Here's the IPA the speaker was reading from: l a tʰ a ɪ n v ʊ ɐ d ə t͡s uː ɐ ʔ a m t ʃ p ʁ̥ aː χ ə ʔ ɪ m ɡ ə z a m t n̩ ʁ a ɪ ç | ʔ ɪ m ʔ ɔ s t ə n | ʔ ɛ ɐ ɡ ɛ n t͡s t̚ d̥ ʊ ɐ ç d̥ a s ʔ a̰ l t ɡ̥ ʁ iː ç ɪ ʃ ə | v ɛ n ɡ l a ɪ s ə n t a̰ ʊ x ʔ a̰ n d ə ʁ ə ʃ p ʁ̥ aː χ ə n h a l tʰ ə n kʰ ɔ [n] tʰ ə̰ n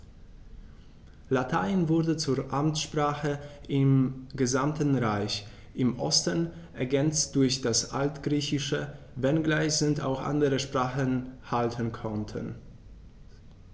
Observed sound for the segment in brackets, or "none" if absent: n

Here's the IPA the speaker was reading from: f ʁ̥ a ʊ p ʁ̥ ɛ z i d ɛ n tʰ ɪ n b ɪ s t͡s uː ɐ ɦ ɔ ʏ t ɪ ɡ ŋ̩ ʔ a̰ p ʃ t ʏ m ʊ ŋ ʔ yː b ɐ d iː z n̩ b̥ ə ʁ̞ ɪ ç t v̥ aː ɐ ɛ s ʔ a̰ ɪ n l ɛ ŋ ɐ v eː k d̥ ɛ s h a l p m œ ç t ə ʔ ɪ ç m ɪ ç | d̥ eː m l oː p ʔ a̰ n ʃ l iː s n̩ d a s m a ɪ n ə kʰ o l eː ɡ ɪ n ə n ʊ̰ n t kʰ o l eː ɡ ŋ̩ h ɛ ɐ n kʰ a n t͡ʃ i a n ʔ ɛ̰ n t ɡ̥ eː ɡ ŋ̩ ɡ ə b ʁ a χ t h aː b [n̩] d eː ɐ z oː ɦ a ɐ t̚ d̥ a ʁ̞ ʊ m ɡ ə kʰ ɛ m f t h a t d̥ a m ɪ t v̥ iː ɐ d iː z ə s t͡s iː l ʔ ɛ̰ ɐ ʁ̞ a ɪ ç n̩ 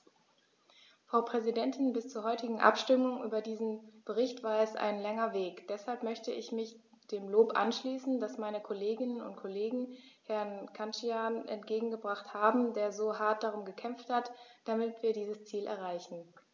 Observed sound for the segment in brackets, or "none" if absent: m̩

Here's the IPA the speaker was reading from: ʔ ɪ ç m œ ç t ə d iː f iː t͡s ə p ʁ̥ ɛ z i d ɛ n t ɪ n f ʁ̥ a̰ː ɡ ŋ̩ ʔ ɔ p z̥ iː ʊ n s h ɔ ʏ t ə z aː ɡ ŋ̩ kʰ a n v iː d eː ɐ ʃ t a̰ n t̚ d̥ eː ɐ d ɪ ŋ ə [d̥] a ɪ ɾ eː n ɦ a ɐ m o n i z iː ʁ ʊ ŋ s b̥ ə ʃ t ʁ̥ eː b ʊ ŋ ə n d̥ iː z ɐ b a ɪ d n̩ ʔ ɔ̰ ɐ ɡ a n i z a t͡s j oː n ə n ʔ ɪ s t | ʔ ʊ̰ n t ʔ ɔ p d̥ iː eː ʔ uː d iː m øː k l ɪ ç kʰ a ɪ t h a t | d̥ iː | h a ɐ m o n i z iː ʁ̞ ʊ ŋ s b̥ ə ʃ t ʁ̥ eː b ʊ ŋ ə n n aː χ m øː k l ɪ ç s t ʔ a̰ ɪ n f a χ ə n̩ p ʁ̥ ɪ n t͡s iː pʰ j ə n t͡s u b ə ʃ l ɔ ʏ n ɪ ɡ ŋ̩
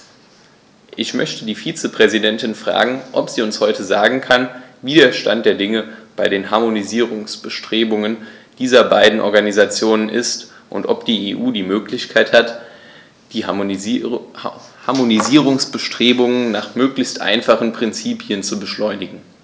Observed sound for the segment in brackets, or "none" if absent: b̥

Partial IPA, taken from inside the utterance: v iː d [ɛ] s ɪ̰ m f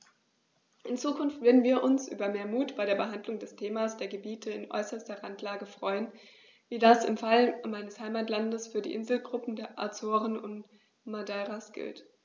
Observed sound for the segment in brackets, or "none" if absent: a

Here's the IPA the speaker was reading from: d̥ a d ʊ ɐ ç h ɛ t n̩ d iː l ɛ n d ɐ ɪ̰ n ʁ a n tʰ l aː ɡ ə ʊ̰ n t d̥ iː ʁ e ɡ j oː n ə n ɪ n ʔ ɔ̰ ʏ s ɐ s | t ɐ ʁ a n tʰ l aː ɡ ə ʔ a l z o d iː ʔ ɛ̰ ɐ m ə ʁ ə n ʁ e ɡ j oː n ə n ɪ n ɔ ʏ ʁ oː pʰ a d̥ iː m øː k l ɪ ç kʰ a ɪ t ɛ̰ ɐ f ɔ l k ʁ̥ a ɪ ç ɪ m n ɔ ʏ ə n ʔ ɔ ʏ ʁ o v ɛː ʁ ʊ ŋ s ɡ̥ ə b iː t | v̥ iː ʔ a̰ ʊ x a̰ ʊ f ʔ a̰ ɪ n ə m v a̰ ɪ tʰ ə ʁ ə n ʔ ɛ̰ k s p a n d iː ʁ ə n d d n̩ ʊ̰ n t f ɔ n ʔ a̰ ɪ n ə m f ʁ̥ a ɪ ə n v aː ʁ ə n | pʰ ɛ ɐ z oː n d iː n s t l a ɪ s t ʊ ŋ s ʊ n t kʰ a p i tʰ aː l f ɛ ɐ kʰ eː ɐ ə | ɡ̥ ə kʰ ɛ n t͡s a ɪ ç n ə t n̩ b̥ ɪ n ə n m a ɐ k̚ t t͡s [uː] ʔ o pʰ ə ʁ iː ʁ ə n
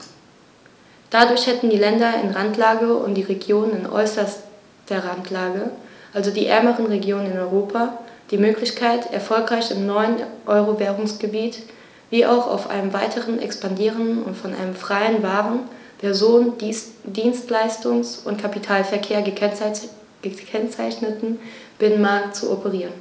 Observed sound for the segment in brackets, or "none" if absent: u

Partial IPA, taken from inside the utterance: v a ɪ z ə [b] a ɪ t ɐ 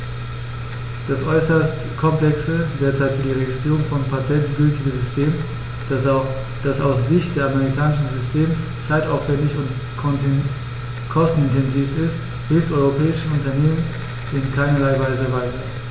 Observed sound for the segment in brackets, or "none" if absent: v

